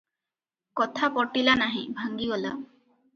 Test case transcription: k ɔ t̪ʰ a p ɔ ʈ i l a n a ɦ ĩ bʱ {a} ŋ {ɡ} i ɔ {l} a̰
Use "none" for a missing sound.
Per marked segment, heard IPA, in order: a, ɡ, l

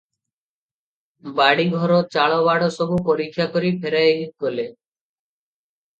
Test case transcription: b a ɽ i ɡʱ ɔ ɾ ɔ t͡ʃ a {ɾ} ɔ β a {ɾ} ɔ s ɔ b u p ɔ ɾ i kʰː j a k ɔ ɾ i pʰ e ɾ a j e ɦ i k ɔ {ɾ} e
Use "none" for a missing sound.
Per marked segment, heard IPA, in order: ɭ, ɽ, l

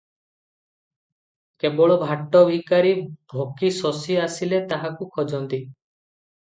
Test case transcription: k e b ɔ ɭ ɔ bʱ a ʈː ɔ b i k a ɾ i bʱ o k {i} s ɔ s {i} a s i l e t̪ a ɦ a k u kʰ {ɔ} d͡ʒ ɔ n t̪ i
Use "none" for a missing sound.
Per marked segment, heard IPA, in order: i, i, ɔ

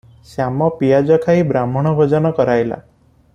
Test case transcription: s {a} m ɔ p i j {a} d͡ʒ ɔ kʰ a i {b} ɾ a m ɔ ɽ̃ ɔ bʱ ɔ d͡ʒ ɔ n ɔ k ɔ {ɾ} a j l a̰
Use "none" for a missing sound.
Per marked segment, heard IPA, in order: a, a, b, ɾ

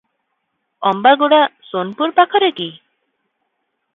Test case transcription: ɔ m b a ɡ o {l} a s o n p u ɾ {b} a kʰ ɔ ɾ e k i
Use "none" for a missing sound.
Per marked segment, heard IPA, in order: ɽ, p

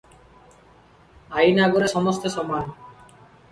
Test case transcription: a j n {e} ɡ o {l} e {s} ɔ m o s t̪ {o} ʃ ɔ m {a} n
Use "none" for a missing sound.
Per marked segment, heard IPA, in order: a, ɾ, ʃ, o, a

